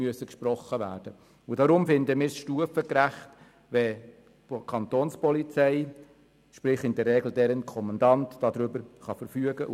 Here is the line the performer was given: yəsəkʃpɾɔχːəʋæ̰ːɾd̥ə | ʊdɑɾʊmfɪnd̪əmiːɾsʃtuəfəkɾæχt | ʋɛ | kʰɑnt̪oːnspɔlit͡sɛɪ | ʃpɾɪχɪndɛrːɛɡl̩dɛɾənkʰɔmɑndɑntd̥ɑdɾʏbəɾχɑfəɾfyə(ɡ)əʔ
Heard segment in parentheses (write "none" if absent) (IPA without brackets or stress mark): ɡ